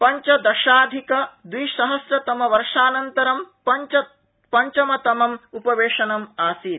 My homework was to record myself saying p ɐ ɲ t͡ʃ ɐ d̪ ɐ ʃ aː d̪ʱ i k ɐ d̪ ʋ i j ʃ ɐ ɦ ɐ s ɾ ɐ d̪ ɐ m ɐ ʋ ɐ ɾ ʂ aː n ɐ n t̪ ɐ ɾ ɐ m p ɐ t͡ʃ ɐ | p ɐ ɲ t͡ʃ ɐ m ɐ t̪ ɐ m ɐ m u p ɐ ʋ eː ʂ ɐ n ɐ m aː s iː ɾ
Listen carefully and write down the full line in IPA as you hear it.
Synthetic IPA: p ɐ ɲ t͡ʃ ɐ d̪ ɐ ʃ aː d̪ʱ i k ɐ d̪ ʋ i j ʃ ɐ ɦ ɐ s ɾ ɐ t̪ ɐ m ɐ ʋ ɐ ɾ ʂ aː n ɐ n t̪ ɐ ɾ ɐ m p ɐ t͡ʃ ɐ | p ɐ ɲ t͡ʃ ɐ m ɐ t̪ ɐ m ɐ m u p ɐ ʋ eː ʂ ɐ n ɐ m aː s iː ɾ